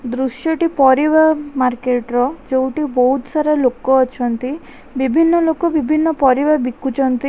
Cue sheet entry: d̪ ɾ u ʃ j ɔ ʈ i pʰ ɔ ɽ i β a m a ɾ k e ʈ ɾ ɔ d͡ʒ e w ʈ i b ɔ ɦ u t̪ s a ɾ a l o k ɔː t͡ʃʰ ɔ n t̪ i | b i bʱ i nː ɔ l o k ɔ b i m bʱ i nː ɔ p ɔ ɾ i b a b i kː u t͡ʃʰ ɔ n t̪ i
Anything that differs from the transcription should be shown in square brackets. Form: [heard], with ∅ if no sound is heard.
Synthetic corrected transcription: d̪ ɾ u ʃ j ɔ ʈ i [p] ɔ [ɾ] i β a m a ɾ k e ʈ ɾ ɔ d͡ʒ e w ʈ i b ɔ ɦ u t̪ s a ɾ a l o k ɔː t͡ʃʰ ɔ n t̪ i | b i bʱ i nː ɔ l o k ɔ b i [∅] bʱ i nː ɔ p ɔ ɾ i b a b i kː u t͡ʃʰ ɔ n t̪ i